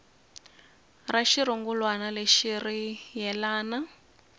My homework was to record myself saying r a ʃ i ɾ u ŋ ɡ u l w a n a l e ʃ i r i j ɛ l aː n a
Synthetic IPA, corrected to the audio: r a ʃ i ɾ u ŋ ɡ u l w a n a l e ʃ i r i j ɛ l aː n a

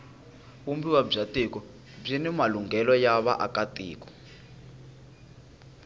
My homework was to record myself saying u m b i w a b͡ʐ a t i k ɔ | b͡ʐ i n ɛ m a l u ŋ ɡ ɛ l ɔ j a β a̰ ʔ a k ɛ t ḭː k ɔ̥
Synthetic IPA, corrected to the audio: u m b i w a b͡ʐ a t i k ɔ | b͡ʐ i n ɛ m a l u ŋ ɡ ɛ l ɔ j a β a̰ ʔ a k a t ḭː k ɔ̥

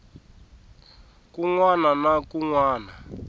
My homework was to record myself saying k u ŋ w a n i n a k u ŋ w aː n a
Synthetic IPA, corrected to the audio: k u ŋ w a n a n a k u ŋ w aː n a

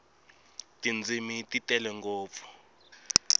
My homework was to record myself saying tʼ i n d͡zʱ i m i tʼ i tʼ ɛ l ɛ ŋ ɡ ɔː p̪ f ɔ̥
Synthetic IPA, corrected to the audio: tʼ i n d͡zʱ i m i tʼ i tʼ ɛ l ɛ ŋ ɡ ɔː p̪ f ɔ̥

